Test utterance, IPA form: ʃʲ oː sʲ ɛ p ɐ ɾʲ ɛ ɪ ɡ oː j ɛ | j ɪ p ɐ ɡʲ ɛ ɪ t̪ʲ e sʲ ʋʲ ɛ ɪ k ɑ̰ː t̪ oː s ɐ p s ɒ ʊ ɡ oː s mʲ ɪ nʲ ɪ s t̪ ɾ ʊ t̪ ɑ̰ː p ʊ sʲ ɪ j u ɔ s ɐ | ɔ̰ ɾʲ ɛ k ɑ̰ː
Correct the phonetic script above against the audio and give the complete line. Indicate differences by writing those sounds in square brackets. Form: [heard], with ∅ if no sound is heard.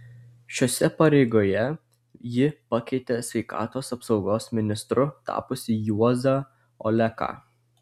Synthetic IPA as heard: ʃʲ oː sʲ ɛ p ɐ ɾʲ ɛ ɪ ɡ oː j ɛ | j ɪ p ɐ [kʲ] ɛ ɪ t̪ʲ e sʲ ʋʲ ɛ ɪ k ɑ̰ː t̪ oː s ɐ p s ɒ ʊ ɡ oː s mʲ ɪ nʲ ɪ s t̪ ɾ ʊ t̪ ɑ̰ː p ʊ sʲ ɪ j u ɔ [z] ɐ | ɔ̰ [lʲ] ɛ k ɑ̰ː